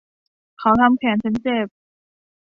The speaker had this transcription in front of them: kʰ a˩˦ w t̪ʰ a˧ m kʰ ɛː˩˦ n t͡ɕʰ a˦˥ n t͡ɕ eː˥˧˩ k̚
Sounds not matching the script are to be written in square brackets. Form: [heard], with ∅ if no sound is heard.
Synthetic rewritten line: kʰ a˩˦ w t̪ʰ a˧ m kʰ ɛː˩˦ n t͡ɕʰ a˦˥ n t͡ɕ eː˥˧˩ [p̚]